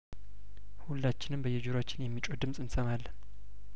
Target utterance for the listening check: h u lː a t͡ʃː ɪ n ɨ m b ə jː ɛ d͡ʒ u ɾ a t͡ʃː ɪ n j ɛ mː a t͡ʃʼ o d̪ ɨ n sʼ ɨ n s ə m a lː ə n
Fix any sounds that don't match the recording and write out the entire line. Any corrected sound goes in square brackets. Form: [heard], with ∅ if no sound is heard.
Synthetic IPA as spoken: h u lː a t͡ʃː ɪ n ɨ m b ə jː ɛ d͡ʒ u ɾ a t͡ʃː ɪ n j ɛ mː [i] t͡ʃʼ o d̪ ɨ [m] sʼ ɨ n s ə m a lː ə n